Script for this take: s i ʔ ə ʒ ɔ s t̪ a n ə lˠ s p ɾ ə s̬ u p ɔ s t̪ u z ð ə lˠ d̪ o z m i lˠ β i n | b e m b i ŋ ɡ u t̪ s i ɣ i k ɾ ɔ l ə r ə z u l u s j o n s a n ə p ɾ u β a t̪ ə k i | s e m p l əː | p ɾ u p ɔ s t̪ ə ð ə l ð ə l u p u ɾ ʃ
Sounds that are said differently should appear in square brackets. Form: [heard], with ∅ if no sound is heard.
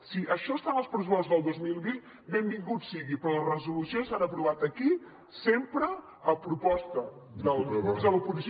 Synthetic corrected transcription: s i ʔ ə [ʃ] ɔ s t̪ a n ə lˠ s p ɾ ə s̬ u p ɔ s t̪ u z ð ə lˠ d̪ o z m i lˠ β i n | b e m b i ŋ ɡ u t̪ s i ɣ i [p] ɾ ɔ l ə r ə z u l u s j o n s a n ə p ɾ u β a t̪ ə k i | s e m p [ɾ] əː | p ɾ u p ɔ s t̪ ə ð ə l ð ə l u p u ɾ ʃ